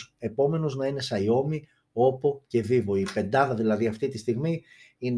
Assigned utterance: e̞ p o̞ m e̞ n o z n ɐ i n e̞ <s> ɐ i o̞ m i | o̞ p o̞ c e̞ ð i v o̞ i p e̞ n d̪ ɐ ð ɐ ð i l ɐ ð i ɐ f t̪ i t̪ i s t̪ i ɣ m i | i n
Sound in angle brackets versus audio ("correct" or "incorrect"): correct